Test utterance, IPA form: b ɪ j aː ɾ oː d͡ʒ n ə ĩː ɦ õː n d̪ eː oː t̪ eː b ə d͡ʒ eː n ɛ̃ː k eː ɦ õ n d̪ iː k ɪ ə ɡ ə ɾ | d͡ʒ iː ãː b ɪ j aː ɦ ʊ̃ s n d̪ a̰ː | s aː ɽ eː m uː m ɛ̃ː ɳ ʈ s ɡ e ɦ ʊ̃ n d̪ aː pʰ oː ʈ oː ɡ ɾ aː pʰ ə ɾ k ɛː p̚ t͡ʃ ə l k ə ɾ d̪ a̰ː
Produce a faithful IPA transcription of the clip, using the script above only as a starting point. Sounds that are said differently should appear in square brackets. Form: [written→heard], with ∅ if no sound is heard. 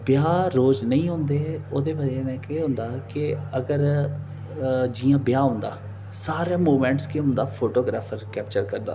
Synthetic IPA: b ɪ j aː ɾ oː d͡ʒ n ə ĩː ɦ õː n d̪ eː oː [t̪→d̪] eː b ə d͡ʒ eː n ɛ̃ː k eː ɦ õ n d̪ [iː→aː] k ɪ ə ɡ ə ɾ | d͡ʒ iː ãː b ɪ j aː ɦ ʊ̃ [s→∅] n d̪ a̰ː | s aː [ɽ→ɾ] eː m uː m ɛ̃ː ɳ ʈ s [ɡ→k] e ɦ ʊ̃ n d̪ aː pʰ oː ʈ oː ɡ ɾ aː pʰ ə ɾ k ɛː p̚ t͡ʃ ə [l→ɾ] k ə ɾ d̪ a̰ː